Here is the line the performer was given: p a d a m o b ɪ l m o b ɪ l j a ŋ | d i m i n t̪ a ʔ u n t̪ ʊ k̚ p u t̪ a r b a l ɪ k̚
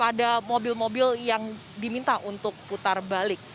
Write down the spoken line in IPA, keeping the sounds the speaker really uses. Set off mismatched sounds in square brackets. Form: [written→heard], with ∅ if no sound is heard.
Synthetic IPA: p a d a m o b ɪ l m o b ɪ l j a ŋ | d i m i n t̪ a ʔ u n t̪ ʊ k̚ p u t̪ a r b a l ɪ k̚